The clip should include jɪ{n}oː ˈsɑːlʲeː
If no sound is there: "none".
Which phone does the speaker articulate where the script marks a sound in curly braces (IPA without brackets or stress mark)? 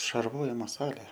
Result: m